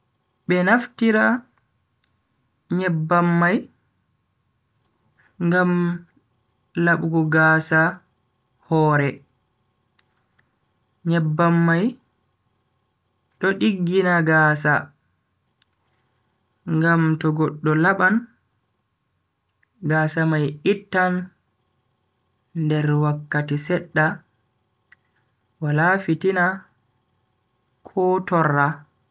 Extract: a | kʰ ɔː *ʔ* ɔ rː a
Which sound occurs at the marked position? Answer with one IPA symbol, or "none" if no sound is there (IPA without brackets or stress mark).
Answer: t